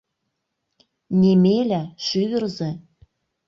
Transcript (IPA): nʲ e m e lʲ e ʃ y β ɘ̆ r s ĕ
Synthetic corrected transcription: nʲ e m e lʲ æ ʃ y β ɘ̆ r z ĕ